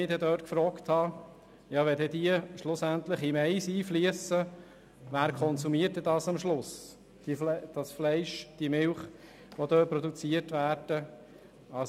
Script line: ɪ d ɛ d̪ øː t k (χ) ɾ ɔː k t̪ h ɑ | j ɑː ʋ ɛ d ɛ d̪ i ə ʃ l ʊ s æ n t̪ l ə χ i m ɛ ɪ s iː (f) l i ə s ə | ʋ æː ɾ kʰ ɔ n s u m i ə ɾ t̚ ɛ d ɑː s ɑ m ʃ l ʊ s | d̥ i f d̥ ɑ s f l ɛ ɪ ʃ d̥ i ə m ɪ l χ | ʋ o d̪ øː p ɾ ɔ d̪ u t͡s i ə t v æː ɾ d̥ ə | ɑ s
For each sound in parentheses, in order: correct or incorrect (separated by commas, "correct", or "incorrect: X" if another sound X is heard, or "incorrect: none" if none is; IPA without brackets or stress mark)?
incorrect: f, correct